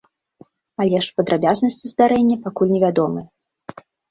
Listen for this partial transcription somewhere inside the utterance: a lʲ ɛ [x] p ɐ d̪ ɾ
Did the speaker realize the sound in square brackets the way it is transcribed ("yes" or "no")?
no